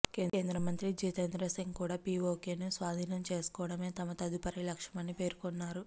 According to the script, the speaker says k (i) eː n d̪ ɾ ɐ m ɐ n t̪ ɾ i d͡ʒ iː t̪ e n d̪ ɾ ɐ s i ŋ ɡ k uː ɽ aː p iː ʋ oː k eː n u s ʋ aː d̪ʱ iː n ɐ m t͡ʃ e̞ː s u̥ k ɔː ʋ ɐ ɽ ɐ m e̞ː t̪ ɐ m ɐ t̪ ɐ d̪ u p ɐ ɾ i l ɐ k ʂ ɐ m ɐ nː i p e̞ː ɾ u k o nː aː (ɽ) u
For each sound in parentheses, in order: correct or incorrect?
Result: incorrect, incorrect

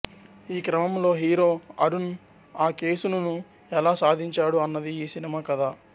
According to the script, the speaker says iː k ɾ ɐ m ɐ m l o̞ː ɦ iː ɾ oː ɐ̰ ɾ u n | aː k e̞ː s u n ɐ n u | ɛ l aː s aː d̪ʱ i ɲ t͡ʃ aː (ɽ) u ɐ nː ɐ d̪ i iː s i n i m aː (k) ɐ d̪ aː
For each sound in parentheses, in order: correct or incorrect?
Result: correct, correct

